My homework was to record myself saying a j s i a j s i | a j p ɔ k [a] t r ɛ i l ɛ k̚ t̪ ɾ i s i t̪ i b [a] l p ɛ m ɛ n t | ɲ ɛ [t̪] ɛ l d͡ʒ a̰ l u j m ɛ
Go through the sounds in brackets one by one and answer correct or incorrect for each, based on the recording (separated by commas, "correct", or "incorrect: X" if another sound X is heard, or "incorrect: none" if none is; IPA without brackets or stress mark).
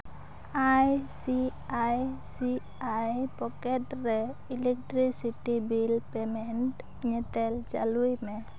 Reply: incorrect: ɛ, incorrect: i, correct